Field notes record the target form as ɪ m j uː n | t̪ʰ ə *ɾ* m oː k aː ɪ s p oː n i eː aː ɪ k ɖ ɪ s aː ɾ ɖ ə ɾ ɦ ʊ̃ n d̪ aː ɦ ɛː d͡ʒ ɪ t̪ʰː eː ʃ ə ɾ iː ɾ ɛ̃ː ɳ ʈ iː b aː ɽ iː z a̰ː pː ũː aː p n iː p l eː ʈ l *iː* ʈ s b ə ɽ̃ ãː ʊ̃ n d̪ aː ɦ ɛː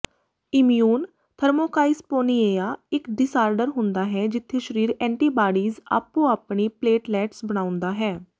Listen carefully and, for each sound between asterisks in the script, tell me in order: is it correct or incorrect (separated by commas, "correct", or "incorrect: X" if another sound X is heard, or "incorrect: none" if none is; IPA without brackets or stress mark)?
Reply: correct, incorrect: ɛː